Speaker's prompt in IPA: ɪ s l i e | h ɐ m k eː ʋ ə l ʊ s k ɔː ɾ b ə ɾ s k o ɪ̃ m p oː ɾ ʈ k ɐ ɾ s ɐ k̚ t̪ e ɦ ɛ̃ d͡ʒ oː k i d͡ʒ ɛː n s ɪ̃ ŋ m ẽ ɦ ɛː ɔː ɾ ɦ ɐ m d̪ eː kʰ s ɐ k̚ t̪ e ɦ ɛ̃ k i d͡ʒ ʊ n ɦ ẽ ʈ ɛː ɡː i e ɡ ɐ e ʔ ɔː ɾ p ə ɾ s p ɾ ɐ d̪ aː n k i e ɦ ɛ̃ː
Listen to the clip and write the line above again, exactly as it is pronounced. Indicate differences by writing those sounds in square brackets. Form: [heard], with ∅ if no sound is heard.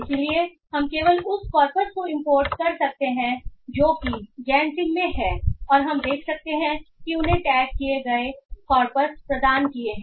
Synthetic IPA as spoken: ɪ s l i e | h ɐ m k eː ʋ ə l ʊ s k ɔː ɾ [p] ə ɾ s k o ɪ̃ m p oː ɾ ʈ k ɐ ɾ s ɐ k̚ t̪ e ɦ ɛ̃ d͡ʒ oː k i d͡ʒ ɛː n s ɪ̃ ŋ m ẽ ɦ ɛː ɔː ɾ ɦ ɐ m d̪ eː kʰ s ɐ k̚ t̪ e ɦ ɛ̃ k i [∅] ʊ n ɦ ẽ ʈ ɛː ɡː i e ɡ ɐ e [k] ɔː ɾ p ə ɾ s p ɾ ɐ d̪ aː n k i e ɦ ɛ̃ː